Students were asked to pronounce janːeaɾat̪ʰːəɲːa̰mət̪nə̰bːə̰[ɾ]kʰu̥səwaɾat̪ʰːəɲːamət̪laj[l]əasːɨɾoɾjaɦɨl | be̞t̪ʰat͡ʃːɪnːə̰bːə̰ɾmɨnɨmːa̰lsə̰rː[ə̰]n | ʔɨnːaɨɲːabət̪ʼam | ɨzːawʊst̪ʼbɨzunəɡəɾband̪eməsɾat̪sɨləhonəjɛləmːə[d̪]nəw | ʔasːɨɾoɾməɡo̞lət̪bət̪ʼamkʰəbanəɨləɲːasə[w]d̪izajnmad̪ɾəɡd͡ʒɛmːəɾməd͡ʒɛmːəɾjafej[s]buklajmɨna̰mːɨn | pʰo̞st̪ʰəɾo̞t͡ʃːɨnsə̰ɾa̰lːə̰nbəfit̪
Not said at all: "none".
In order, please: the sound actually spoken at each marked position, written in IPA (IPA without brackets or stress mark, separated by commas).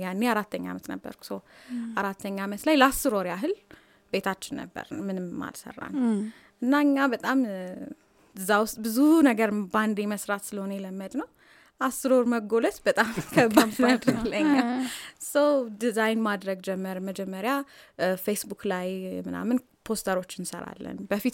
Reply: ɾ, l, a̰, d̪, w, s